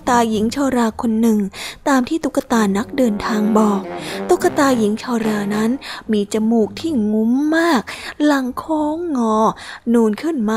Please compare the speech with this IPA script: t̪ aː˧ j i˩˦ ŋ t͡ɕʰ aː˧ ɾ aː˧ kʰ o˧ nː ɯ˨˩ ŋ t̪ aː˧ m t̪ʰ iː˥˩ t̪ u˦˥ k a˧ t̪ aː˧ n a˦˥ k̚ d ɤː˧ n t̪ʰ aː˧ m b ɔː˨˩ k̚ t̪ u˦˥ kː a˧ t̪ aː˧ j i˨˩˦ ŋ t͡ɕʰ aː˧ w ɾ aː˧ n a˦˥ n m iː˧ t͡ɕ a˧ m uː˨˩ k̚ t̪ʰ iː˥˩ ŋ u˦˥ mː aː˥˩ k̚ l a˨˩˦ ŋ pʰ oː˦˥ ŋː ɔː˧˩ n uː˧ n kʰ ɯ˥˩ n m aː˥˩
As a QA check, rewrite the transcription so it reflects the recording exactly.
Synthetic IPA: t̪ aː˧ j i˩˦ ŋ t͡ɕʰ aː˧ ɾ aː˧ kʰ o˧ nː ɯ˨˩ ŋ t̪ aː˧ m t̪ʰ iː˥˩ t̪ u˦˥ k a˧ t̪ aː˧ n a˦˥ k̚ d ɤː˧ n t̪ʰ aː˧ ŋ b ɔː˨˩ k̚ t̪ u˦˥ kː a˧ t̪ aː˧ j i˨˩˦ ŋ t͡ɕʰ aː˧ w ɾ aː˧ n a˦˥ n m iː˧ t͡ɕ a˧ m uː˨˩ k̚ t̪ʰ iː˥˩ ŋ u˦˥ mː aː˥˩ k̚ l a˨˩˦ ŋ kʰ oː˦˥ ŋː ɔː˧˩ n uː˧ n kʰ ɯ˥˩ n m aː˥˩